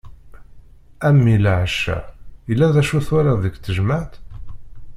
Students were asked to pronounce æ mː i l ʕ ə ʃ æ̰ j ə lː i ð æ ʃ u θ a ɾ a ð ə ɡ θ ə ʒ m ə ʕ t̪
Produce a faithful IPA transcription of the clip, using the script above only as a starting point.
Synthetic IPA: æ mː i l ʕ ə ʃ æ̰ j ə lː æ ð æ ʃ u θ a ɾ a ð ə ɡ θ ə ʒ m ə ʕ t̪